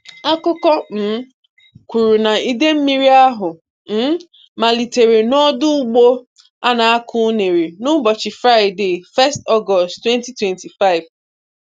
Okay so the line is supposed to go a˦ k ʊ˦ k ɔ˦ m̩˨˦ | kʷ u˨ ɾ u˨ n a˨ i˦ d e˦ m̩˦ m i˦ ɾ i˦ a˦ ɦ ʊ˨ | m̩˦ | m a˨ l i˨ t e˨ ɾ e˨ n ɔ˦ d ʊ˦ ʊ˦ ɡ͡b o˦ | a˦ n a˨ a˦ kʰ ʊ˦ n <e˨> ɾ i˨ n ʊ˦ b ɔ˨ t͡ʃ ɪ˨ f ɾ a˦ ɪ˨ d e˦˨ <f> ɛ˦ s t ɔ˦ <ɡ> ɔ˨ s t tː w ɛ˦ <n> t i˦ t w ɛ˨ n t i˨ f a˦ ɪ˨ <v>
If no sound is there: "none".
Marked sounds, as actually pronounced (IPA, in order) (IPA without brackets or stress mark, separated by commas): e˨, f, ɡ, n, v